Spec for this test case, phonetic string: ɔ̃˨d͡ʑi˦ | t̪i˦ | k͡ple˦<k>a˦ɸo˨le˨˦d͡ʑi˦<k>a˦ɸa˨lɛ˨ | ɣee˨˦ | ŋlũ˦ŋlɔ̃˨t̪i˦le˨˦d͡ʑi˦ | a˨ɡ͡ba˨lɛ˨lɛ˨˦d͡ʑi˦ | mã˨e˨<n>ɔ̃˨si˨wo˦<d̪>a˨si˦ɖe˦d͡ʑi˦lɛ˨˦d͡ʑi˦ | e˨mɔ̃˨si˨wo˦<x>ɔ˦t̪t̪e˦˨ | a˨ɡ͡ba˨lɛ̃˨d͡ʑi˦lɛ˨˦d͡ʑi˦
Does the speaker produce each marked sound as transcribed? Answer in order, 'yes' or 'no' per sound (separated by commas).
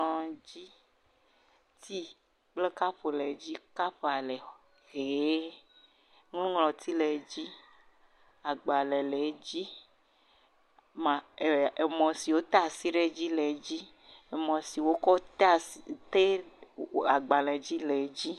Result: yes, yes, no, no, no